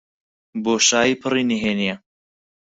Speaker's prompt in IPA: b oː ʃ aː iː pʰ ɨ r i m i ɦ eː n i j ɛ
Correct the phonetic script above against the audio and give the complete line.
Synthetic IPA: b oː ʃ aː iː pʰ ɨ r i n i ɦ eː n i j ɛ